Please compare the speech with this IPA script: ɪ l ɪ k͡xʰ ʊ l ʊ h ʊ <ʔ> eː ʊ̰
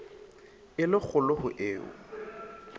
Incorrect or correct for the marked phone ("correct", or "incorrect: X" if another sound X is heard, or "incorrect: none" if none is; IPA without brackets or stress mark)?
correct